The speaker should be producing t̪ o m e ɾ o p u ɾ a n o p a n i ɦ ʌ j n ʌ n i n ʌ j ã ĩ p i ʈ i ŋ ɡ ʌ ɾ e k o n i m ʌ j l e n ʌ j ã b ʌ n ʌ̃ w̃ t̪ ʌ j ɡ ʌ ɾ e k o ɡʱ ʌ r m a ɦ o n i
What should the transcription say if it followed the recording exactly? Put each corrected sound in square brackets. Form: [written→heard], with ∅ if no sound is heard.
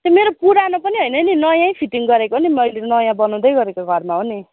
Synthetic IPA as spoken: t̪ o m e ɾ o p u ɾ a n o p [a→ʌ] n i ɦ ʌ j n ʌ n i n ʌ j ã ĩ [p→pʰ] i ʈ i ŋ ɡ ʌ ɾ e k o n i m ʌ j l e n ʌ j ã b ʌ n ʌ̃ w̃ [t̪→d̪] ʌ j ɡ ʌ ɾ e k o ɡʱ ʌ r m a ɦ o n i